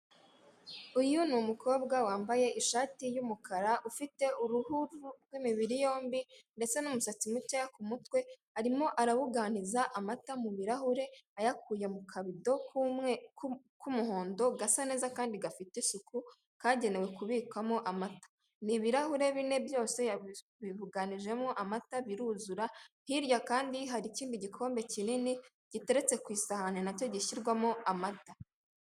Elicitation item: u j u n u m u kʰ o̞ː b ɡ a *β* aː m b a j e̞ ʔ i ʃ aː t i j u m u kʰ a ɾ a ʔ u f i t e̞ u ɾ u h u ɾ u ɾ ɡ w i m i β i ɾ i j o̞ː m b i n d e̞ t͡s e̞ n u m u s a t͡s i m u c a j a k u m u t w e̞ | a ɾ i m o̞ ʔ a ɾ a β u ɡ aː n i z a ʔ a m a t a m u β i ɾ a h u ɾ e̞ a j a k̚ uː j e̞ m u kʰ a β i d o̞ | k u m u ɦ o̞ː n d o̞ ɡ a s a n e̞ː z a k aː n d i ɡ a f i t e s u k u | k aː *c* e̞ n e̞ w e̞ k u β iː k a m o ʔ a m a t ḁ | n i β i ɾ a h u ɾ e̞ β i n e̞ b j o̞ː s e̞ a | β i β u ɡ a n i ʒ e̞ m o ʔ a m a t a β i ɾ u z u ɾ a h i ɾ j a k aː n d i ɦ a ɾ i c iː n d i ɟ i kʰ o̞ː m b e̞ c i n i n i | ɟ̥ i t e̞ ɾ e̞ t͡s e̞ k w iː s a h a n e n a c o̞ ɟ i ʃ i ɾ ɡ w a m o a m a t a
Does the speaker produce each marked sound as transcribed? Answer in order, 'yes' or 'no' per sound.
no, no

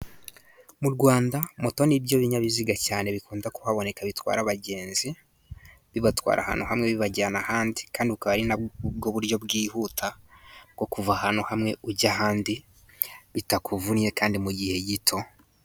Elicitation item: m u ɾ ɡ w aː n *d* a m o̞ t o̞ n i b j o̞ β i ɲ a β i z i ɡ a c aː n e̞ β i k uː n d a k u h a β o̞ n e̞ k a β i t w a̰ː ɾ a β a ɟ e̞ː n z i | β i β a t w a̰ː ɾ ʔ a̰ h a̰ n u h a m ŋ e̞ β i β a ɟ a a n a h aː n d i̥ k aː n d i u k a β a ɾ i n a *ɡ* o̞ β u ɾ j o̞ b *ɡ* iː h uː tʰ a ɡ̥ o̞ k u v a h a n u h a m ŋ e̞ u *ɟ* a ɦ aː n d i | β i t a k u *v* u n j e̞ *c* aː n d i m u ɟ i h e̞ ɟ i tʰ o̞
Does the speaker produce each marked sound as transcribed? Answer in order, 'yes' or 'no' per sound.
yes, yes, yes, yes, yes, no

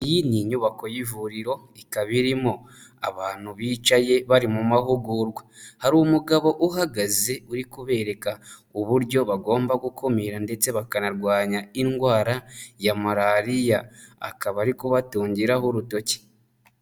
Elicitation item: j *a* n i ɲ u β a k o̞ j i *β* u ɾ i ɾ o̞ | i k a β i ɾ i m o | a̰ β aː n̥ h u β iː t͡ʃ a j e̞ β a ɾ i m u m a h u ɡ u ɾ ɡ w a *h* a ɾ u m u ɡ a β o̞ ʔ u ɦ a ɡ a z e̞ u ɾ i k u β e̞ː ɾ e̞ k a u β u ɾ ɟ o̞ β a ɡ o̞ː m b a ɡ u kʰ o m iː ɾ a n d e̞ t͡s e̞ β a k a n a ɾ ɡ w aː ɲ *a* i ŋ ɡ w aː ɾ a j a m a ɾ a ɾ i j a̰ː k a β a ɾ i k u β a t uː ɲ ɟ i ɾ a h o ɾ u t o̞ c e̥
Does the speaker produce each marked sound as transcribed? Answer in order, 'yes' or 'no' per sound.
no, no, yes, yes

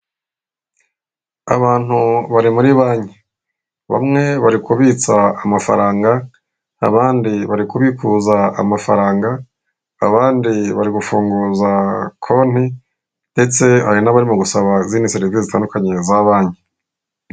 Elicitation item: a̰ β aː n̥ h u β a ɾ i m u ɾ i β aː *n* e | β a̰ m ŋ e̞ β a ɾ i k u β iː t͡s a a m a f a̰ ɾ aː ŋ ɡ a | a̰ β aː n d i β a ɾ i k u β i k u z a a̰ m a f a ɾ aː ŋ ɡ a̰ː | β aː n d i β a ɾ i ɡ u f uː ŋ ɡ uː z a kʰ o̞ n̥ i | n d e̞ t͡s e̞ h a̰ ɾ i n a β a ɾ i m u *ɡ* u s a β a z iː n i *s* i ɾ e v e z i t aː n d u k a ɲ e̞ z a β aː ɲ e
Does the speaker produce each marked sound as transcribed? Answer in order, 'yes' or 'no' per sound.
no, yes, yes

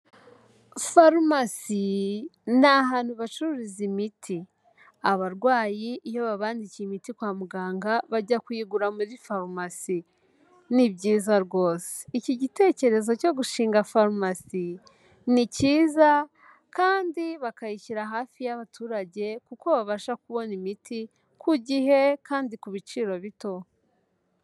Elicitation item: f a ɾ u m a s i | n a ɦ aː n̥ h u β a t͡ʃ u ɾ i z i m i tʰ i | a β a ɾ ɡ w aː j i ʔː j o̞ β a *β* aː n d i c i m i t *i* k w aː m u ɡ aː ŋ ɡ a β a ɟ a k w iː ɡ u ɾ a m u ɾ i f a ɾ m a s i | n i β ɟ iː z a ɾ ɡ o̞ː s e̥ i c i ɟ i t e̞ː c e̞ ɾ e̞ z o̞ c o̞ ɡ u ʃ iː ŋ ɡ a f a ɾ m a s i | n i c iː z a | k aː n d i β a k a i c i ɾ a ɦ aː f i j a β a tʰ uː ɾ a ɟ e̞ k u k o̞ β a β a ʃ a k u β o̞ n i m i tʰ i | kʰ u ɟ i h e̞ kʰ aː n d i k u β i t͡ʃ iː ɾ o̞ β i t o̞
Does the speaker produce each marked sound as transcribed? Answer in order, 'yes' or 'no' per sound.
yes, yes

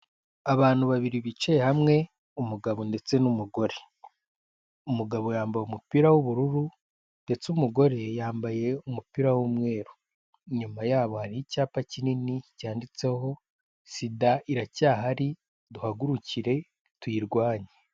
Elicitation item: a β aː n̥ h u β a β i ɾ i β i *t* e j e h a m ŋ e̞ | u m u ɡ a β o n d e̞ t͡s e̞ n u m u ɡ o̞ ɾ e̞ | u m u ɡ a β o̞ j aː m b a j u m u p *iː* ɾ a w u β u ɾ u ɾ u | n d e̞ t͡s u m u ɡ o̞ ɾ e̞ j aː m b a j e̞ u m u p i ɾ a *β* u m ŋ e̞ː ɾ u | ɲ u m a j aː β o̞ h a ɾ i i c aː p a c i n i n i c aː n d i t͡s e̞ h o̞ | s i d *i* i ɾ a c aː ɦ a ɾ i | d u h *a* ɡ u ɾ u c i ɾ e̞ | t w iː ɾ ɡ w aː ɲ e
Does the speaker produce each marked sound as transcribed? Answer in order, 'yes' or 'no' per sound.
no, no, no, no, yes

